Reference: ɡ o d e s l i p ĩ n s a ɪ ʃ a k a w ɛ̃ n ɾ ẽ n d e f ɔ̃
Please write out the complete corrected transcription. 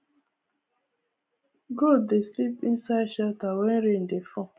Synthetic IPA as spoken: ɡ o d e s l i p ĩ n s a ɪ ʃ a t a w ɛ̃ n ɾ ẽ n d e f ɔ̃